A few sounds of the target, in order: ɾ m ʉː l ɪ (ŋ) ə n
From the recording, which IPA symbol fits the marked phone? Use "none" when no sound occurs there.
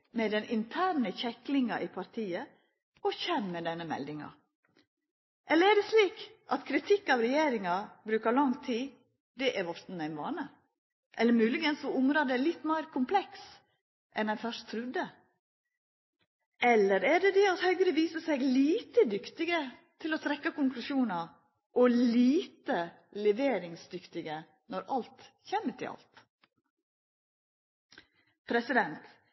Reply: ɡ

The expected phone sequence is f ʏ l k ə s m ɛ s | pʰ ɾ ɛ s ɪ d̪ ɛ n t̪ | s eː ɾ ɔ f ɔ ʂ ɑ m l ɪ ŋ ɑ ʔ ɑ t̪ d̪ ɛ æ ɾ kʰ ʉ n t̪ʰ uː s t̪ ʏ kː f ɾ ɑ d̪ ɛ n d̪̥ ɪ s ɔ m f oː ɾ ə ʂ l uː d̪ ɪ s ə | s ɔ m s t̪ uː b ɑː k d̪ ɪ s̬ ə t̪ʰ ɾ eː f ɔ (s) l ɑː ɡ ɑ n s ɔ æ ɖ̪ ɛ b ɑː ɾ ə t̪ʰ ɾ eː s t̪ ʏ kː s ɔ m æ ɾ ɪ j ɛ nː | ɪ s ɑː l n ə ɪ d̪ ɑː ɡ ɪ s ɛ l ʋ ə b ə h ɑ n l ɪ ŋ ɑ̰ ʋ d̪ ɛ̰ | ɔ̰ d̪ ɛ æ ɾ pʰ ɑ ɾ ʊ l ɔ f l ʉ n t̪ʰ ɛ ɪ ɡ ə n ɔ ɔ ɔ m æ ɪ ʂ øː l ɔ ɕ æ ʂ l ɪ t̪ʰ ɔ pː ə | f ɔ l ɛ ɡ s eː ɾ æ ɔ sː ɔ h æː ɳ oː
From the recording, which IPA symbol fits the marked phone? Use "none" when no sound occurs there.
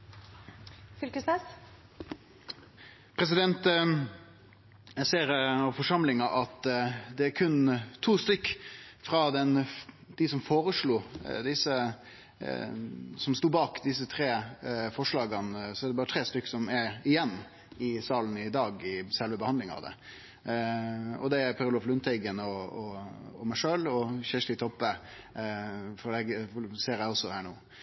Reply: ʂ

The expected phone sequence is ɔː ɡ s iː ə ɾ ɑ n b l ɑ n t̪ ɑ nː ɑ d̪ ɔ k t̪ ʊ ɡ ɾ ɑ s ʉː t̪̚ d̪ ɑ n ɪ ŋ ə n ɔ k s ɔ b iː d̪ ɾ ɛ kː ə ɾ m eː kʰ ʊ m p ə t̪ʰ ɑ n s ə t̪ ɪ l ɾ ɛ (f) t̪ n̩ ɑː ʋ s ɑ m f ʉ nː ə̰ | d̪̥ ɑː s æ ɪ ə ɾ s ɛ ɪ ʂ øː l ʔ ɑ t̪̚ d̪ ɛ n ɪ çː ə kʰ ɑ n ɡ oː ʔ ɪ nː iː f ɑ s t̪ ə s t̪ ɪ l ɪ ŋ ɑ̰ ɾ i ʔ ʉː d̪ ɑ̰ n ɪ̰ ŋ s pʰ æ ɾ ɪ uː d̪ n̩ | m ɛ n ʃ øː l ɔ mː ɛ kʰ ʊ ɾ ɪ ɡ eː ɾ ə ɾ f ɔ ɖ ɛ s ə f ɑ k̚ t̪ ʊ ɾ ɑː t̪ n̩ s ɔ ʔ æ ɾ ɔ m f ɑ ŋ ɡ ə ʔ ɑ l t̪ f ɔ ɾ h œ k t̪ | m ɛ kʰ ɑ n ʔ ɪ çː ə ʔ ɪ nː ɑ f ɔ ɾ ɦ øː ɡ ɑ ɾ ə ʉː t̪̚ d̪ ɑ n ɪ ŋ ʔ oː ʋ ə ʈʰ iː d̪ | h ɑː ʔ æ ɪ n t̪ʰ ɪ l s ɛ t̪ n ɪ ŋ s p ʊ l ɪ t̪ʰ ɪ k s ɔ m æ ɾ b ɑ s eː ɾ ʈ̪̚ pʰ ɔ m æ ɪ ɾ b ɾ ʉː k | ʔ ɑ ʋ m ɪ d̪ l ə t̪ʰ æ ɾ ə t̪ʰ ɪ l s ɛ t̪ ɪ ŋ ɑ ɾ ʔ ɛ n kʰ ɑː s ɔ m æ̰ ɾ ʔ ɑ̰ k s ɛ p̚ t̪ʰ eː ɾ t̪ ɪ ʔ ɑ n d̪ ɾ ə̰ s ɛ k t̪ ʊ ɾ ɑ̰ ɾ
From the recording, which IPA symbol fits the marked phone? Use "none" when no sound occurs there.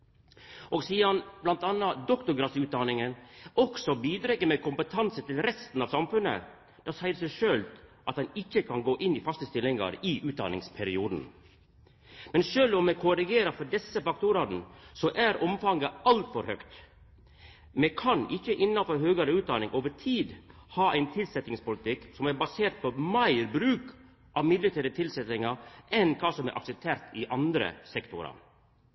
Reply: s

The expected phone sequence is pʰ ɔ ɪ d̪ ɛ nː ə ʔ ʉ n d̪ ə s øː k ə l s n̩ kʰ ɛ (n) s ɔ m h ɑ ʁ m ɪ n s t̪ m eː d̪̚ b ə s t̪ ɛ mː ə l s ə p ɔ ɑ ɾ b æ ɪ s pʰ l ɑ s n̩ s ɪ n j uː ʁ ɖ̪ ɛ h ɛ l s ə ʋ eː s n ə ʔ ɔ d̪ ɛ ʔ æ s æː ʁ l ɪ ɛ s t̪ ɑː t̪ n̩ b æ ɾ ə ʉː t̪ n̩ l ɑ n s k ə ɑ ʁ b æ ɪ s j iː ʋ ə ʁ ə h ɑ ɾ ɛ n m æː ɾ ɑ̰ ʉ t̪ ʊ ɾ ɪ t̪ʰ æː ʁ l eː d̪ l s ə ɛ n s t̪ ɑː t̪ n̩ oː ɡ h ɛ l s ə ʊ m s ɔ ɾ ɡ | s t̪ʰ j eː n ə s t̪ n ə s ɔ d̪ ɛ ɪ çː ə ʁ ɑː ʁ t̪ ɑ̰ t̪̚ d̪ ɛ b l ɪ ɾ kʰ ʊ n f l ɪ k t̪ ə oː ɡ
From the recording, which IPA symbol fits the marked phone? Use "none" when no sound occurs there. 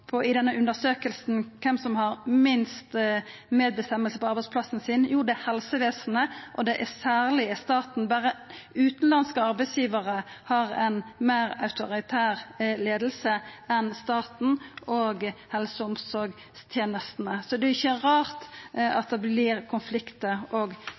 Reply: m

